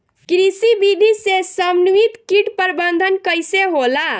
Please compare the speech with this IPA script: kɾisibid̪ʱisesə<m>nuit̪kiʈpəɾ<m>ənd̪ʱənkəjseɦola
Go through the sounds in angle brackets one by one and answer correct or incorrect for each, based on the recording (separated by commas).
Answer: correct, incorrect